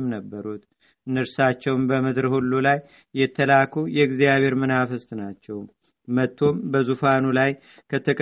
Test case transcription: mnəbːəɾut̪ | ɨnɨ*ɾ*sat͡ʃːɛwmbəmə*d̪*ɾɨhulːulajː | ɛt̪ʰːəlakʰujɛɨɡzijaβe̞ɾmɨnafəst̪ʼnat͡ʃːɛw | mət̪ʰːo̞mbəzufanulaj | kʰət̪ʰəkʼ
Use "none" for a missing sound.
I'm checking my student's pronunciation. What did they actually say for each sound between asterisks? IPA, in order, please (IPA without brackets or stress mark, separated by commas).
ɾ, d̪